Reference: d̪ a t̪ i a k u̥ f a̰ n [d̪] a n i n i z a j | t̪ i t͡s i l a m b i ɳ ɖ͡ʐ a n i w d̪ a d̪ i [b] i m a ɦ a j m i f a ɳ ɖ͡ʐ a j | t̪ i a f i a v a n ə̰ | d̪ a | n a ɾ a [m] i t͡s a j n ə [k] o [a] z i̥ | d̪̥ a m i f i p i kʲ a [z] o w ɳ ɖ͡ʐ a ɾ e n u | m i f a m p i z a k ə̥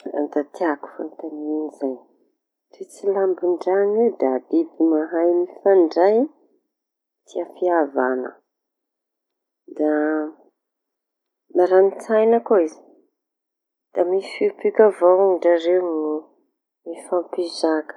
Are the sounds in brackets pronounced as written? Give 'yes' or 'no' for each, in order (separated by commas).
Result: no, yes, no, yes, no, no